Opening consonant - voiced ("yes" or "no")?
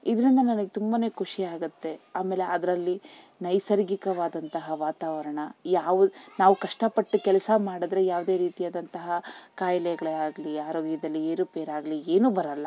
yes